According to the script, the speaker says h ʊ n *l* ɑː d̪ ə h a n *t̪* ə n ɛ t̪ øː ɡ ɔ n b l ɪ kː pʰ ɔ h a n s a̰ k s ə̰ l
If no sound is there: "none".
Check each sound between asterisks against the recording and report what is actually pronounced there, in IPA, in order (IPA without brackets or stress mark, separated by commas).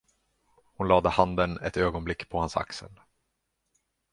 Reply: l, d̪